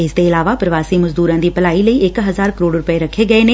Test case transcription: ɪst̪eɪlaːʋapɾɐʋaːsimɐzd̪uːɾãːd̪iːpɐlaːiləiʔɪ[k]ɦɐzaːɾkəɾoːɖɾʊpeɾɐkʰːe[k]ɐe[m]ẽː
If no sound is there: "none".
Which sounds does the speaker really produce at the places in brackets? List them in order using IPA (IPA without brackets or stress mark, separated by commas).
k, ɡ, n